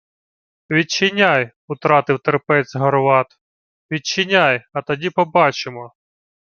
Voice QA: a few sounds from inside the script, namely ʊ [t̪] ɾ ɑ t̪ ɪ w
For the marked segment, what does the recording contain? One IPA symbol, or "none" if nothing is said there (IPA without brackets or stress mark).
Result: t̪